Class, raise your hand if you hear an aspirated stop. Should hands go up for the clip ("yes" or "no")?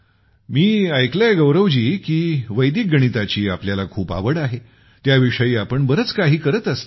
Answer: yes